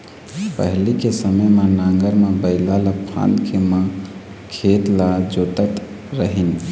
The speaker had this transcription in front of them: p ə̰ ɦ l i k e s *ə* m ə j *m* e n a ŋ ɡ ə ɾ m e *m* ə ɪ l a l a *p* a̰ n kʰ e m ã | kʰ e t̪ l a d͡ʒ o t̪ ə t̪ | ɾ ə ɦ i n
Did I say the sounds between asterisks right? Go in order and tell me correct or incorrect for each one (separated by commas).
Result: correct, correct, incorrect, incorrect